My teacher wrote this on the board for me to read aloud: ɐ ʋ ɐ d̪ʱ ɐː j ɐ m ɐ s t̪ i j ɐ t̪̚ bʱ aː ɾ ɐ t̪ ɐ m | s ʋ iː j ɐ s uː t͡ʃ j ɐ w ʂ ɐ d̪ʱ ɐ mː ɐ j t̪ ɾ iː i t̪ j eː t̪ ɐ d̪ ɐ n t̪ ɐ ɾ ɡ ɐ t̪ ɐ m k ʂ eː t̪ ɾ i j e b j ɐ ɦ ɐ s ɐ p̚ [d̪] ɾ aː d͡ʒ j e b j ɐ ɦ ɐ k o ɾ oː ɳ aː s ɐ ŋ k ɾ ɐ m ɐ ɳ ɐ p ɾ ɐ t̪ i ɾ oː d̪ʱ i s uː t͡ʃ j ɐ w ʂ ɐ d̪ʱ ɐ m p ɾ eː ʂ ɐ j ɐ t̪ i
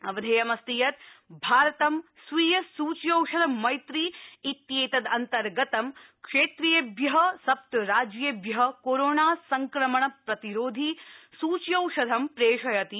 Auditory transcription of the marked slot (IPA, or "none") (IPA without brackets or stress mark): t̪